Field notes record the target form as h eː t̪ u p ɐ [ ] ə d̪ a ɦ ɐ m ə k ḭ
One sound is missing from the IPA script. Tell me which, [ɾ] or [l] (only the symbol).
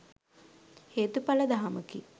l